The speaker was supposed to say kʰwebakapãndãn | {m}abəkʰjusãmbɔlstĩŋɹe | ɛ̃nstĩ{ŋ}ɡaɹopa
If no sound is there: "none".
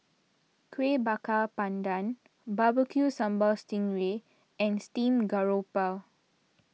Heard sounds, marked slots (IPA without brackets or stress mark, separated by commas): b, m